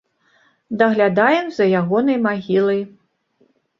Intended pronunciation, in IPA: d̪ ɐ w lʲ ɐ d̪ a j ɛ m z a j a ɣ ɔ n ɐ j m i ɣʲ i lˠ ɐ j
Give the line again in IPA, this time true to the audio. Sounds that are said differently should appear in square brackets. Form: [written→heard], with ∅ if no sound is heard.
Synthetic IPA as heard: d̪ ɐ [w→ɣ] lʲ [ɐ→a] d̪ a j ɛ m z [a→ɐ] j a ɣ ɔ n ɐ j m [i→a] ɣʲ i lˠ ɐ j